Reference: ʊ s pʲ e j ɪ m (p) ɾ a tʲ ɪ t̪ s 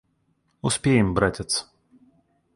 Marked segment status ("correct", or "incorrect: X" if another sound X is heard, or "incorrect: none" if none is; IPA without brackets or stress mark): incorrect: b